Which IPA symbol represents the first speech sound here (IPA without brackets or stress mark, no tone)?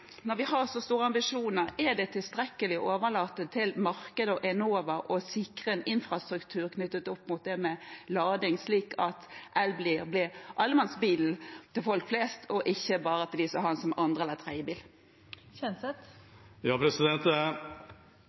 n